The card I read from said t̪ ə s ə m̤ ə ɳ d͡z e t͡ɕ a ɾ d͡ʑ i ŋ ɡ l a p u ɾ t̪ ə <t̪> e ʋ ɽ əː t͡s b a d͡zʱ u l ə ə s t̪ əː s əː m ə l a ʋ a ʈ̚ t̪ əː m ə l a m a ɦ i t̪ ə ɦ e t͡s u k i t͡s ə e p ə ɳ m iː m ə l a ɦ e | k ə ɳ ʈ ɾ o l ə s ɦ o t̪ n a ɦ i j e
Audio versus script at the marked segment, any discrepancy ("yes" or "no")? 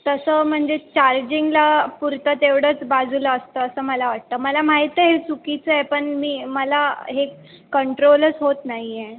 no